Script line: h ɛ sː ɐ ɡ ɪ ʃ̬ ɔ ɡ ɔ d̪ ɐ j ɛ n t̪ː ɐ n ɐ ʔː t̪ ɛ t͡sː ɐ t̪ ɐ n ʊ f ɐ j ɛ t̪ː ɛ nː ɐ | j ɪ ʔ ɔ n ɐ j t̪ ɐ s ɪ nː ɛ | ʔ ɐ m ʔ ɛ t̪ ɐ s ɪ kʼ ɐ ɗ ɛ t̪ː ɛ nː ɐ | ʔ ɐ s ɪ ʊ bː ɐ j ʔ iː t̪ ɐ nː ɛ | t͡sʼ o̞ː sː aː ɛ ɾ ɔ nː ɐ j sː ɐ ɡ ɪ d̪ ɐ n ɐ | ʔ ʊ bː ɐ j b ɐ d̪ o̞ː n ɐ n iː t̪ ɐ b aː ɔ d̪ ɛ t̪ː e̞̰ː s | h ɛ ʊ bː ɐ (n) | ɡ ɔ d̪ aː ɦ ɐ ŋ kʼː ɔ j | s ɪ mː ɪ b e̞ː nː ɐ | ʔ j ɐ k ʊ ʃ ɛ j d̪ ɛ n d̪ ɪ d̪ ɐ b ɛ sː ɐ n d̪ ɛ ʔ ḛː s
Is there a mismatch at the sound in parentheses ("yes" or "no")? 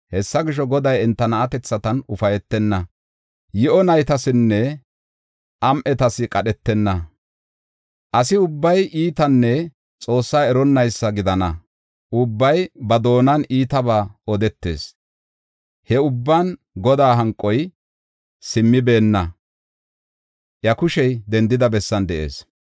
no